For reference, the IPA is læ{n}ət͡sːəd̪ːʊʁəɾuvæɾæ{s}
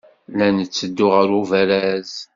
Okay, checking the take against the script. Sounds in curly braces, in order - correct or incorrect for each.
correct, incorrect

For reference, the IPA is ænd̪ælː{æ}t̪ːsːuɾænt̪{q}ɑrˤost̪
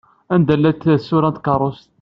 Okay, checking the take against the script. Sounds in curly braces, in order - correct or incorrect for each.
correct, incorrect

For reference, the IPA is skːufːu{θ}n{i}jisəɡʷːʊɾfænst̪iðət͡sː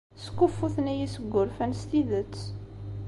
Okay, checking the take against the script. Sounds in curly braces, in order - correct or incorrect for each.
correct, incorrect

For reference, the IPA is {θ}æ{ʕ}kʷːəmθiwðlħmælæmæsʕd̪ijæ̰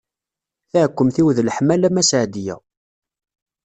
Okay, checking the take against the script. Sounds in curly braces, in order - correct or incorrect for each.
correct, correct

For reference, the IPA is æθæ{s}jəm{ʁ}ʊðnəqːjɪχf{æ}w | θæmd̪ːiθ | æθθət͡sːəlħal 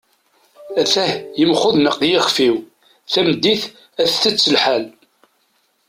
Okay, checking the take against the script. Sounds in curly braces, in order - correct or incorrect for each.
incorrect, incorrect, incorrect

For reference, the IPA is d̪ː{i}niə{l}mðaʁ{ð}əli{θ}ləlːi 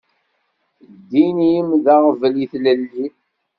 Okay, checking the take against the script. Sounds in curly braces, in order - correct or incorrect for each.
correct, incorrect, incorrect, correct

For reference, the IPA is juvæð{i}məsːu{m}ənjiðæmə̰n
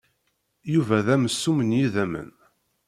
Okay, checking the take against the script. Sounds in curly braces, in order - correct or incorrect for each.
incorrect, correct

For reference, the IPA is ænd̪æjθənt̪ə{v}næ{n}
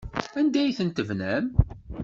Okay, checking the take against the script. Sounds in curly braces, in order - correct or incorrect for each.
correct, incorrect

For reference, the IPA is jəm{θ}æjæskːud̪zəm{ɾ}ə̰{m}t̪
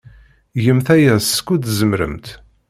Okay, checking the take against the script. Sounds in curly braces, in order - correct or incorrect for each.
correct, correct, correct

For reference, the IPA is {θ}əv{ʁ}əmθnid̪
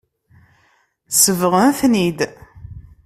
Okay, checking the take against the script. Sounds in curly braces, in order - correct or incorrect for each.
incorrect, correct

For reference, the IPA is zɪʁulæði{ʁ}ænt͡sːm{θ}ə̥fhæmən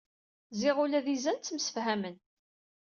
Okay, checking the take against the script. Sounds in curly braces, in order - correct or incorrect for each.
incorrect, incorrect

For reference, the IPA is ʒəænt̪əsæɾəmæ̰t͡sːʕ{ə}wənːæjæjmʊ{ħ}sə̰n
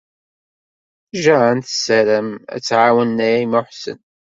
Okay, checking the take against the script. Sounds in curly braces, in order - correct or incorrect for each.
incorrect, correct

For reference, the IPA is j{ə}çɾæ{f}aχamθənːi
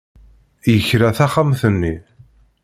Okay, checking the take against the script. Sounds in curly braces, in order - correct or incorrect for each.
correct, incorrect

